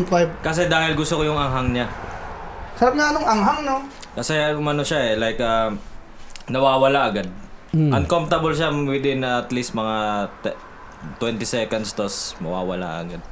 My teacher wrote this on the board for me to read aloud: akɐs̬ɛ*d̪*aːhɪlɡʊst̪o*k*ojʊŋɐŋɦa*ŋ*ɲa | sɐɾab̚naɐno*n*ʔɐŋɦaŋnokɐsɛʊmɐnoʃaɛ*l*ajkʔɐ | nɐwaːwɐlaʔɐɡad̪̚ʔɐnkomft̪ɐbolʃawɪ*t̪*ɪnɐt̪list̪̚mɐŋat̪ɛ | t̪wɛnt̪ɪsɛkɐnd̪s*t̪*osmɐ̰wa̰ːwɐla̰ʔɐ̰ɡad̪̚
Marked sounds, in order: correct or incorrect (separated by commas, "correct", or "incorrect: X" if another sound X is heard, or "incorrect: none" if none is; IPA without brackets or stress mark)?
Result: correct, correct, correct, incorrect: ŋ, correct, incorrect: d̪, correct